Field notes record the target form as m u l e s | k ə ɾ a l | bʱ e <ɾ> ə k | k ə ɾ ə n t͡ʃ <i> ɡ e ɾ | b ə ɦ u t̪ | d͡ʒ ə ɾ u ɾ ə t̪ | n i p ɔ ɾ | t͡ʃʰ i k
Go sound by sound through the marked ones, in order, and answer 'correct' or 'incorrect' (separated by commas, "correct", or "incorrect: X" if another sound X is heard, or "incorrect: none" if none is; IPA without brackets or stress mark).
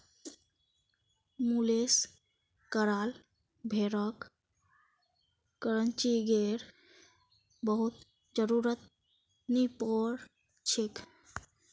correct, correct